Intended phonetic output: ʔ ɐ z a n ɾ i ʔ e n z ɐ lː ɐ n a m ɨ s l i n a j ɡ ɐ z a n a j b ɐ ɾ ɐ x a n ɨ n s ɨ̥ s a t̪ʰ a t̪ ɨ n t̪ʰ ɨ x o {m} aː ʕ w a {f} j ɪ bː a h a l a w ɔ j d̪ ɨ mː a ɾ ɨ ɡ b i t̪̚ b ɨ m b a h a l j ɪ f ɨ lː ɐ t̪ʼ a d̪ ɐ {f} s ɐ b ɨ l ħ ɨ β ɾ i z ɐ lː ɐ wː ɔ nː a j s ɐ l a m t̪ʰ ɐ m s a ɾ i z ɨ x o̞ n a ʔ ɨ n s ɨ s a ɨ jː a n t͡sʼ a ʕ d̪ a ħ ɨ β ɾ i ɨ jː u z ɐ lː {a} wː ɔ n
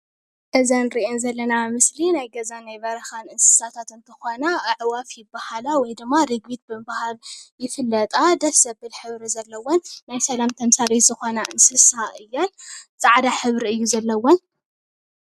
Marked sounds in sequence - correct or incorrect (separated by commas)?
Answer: incorrect, correct, correct, incorrect